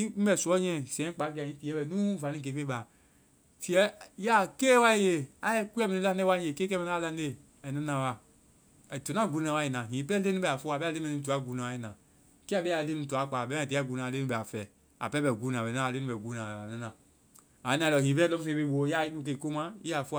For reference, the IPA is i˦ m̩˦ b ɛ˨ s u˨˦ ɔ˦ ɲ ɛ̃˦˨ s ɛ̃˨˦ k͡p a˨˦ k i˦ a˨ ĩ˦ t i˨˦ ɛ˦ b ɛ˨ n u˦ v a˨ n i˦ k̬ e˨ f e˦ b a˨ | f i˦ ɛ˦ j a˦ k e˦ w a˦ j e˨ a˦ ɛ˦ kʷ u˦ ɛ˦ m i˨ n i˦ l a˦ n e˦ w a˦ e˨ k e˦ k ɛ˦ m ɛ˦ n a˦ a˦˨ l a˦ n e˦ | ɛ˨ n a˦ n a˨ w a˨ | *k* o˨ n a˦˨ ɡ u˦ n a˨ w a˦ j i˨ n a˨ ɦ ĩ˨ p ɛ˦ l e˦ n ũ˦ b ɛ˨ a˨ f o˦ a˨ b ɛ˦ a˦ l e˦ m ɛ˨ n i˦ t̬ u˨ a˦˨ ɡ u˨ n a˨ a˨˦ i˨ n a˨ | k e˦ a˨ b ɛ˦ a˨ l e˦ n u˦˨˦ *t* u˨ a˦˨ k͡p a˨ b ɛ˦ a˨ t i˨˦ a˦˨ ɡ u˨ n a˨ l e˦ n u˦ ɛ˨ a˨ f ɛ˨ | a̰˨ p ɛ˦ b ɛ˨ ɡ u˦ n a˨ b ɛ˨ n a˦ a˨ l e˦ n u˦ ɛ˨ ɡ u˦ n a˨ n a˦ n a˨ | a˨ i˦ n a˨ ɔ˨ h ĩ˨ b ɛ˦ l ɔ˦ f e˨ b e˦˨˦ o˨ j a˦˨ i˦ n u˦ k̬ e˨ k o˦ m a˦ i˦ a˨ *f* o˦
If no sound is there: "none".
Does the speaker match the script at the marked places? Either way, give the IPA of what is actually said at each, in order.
t, t, f

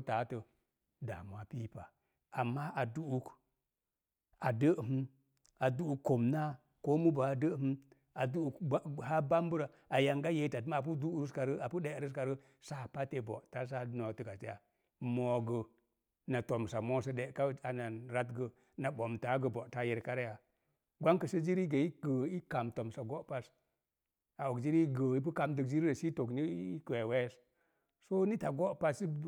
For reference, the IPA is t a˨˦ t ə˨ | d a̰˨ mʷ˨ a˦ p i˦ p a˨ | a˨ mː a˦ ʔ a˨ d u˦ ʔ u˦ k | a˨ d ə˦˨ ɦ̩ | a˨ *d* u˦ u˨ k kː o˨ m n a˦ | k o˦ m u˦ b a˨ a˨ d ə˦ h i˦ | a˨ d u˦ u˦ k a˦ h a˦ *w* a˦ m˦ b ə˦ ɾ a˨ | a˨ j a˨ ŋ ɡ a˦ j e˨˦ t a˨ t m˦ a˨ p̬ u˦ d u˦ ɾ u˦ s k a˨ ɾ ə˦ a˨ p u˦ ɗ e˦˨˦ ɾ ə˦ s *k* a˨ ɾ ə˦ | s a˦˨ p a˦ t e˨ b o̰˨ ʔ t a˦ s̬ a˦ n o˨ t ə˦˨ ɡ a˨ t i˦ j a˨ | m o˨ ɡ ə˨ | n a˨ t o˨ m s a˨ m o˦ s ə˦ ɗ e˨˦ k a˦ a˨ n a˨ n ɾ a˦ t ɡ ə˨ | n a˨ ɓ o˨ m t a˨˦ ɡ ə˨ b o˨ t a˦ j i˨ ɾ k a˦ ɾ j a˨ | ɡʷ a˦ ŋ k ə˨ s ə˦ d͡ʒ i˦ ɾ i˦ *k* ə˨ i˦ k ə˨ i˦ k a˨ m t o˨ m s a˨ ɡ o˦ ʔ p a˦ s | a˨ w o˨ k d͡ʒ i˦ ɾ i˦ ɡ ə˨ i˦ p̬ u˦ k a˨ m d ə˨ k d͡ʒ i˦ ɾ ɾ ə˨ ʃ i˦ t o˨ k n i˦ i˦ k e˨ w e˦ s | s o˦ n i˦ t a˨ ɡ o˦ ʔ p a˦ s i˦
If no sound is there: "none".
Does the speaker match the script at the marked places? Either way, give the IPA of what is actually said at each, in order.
d, b, k, ɡ

